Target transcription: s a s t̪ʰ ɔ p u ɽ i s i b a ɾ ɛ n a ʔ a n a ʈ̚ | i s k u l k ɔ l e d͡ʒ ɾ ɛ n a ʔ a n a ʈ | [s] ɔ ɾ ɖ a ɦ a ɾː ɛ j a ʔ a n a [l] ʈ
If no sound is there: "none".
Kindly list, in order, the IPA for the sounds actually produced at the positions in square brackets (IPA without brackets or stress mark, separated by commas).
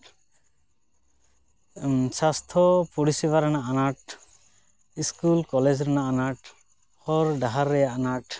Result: h, none